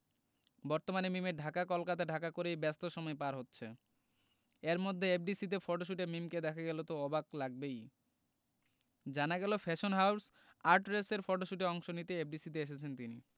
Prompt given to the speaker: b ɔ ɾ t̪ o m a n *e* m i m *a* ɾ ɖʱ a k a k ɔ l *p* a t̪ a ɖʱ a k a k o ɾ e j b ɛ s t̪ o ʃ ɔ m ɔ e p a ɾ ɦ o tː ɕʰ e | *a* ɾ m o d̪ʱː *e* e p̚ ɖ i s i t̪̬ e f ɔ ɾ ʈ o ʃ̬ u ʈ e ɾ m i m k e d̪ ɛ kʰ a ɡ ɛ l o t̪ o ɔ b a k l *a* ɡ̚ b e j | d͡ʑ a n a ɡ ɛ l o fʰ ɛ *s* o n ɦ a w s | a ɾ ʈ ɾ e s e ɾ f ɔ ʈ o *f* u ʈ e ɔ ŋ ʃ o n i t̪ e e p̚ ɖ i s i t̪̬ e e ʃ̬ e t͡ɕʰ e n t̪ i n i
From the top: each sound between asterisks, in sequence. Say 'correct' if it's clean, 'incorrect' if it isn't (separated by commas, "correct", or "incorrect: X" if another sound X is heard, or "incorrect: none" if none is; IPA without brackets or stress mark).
correct, incorrect: e, incorrect: k, incorrect: e, correct, correct, incorrect: ʃ, incorrect: ʃ